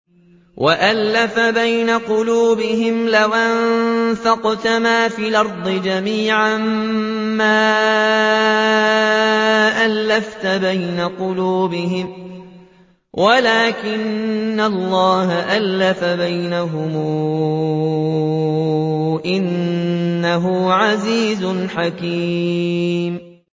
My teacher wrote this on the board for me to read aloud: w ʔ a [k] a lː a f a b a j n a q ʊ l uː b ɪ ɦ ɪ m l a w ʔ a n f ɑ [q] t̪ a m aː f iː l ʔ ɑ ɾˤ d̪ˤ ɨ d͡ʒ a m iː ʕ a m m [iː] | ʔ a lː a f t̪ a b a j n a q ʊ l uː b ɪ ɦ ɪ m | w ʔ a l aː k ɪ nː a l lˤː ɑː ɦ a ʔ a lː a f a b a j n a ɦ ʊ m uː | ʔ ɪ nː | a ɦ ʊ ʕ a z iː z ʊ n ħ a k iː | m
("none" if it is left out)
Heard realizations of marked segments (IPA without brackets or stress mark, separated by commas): ʔ, q, aː